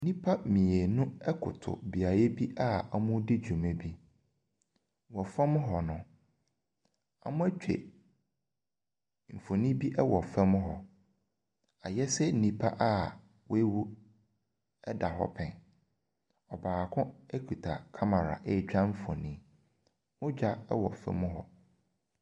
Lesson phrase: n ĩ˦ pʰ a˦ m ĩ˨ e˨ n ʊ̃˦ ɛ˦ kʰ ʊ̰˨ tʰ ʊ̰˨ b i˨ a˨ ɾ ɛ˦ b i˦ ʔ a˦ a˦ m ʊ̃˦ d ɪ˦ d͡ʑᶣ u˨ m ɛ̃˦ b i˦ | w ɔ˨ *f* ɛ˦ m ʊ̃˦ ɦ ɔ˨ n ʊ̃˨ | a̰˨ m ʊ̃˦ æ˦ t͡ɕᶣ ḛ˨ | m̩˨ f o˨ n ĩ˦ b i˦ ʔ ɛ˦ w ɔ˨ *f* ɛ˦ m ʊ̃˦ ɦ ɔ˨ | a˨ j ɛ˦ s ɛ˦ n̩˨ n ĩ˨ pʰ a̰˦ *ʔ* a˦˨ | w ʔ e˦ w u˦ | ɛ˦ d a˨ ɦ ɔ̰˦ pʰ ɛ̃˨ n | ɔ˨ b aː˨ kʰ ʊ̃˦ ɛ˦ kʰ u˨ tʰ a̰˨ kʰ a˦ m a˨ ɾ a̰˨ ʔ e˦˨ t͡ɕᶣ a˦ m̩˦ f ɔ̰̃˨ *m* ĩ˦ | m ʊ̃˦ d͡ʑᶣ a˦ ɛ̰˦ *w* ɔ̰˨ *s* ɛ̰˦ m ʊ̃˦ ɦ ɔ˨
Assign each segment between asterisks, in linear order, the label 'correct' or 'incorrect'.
correct, correct, correct, incorrect: n, correct, incorrect: f

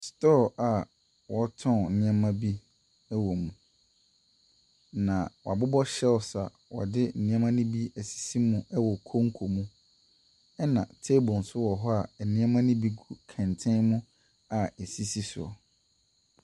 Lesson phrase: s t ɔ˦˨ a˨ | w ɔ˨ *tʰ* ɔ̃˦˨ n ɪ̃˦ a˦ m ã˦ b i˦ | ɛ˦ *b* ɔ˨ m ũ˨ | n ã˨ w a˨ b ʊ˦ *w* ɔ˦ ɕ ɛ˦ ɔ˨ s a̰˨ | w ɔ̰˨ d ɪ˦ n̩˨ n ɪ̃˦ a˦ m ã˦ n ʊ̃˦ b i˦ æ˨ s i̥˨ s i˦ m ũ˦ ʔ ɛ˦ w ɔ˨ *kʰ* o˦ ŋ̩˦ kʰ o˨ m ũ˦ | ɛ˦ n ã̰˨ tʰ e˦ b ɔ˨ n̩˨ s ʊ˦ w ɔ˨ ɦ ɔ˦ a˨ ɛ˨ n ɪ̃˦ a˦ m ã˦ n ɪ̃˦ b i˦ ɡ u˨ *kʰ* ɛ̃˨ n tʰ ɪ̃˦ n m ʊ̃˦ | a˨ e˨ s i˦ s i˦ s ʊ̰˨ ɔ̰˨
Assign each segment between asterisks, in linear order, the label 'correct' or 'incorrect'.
correct, incorrect: w, incorrect: b, correct, correct

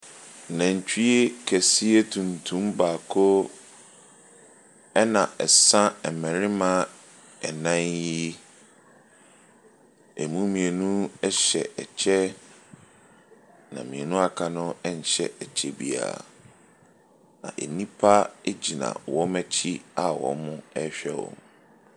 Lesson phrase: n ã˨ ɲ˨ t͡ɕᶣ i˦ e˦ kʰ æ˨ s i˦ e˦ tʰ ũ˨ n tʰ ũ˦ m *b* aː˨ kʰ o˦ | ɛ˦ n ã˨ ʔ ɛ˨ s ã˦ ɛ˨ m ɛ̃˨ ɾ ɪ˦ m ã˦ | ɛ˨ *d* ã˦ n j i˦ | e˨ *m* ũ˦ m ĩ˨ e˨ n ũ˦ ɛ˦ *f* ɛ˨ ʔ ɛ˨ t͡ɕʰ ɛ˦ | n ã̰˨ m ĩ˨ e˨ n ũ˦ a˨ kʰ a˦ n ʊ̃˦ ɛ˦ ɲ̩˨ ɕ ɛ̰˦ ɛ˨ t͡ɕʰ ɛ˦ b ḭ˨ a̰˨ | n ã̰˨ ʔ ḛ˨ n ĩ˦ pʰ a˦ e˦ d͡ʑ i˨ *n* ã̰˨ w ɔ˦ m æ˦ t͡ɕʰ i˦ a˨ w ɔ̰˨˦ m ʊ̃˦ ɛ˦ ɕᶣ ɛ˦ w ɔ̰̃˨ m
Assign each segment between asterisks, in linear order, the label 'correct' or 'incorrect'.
correct, incorrect: n, correct, incorrect: ɕ, correct

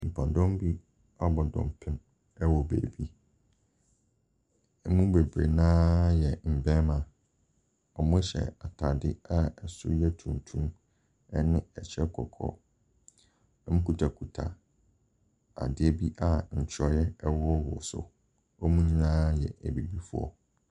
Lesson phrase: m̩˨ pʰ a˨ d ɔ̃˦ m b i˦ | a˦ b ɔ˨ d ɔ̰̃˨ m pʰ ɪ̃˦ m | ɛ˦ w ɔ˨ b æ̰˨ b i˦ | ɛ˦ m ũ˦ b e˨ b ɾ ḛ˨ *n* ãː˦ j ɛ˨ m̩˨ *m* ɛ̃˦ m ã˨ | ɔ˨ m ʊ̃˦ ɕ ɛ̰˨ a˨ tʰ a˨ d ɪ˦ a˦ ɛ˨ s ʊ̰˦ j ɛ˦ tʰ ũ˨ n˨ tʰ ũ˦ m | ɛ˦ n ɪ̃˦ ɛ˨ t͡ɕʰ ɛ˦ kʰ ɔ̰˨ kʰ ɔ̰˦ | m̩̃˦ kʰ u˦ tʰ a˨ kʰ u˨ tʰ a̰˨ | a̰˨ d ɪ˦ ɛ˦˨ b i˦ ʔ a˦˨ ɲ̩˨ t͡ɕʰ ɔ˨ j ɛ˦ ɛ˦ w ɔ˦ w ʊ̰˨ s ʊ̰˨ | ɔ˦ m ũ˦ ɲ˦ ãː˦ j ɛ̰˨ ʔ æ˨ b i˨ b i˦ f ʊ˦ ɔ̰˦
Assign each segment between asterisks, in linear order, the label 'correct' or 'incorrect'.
correct, incorrect: b

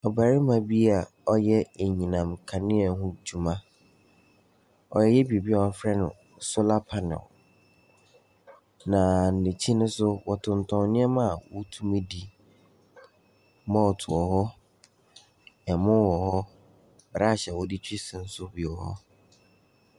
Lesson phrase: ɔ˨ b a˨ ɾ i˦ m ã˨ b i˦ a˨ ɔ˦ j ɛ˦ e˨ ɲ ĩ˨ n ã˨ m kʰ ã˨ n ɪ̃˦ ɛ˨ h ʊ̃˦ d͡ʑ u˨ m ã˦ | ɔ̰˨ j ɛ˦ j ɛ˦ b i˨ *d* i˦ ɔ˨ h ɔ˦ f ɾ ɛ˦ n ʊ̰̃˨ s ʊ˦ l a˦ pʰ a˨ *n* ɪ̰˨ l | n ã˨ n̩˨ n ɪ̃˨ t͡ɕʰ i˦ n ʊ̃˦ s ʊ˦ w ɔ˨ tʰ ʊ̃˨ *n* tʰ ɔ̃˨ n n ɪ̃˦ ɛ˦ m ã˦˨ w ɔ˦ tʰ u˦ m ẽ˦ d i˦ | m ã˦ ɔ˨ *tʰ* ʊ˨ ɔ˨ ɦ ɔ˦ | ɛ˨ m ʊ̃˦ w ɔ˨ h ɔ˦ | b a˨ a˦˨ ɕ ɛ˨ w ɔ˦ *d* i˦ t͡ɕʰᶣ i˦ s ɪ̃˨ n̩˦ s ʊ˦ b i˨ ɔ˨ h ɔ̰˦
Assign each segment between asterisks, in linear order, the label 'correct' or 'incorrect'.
incorrect: b, correct, correct, correct, correct

